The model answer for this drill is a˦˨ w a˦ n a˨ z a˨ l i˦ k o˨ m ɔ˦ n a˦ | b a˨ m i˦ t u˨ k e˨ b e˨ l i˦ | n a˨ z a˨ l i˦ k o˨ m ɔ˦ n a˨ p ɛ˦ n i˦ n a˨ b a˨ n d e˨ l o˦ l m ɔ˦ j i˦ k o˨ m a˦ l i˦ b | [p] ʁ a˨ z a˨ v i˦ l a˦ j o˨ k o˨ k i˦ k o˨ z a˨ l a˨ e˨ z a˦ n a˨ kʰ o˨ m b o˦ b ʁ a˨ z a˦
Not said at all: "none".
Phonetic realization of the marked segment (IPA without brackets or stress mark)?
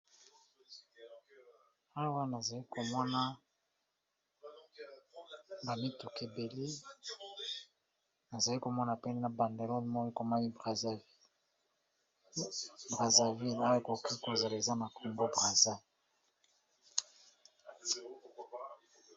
b